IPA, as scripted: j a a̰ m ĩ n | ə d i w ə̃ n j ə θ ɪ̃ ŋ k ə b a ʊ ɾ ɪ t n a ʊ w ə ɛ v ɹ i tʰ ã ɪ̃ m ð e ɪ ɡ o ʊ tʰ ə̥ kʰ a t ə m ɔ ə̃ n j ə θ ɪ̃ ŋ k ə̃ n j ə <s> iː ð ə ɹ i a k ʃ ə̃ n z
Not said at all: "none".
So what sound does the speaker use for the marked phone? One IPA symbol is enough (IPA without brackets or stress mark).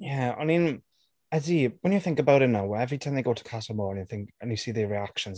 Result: s